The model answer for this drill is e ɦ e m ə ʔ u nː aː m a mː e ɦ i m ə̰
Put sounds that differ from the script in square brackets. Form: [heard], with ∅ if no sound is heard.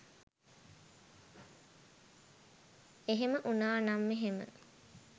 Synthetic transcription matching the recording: e ɦ e m ə ʔ u [n] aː [n] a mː e ɦ [e] m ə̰